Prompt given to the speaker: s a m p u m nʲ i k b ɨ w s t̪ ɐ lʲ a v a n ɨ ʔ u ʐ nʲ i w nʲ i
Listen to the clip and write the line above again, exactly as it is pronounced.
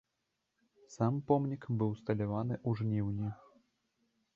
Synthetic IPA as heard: s a m p ɔ m nʲ i k b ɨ w s t̪ ɐ lʲ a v a n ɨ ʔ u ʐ nʲ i w nʲ i